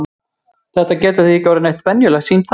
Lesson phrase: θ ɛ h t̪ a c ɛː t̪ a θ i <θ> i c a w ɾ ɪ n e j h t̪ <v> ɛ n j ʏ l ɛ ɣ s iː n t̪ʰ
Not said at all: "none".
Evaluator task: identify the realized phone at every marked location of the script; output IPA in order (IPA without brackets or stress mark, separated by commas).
none, v